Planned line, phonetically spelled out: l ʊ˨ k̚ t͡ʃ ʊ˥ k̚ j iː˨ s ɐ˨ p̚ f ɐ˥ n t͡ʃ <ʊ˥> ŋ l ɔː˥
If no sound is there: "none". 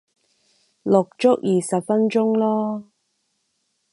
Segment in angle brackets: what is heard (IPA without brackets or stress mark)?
ʊ˥